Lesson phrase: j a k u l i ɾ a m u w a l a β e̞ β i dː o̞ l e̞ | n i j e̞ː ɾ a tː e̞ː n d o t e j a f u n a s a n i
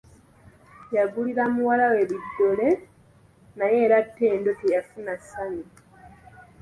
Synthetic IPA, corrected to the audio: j a ɡ u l i ɾ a m u w a l a w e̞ β i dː o̞ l e̞ | n a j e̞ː ɾ a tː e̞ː n d o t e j a f u n a s a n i